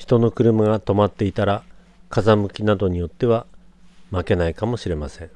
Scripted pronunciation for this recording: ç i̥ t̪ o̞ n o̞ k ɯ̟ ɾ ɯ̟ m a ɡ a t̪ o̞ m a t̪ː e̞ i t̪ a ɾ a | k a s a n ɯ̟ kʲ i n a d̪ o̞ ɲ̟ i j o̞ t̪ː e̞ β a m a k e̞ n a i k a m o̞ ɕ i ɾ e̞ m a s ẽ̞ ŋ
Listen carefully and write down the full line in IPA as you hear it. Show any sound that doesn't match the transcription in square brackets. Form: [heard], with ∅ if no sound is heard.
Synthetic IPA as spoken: ç i̥ t̪ o̞ n o̞ k ɯ̟ ɾ ɯ̟ m a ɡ a t̪ o̞ m a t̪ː e̞ i t̪ a ɾ a | k a [z] a [m] ɯ̟ kʲ i n a d̪ o̞ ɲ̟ i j o̞ t̪ː e̞ β a m a k e̞ n a i k a m o̞ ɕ i ɾ e̞ m a s ẽ̞ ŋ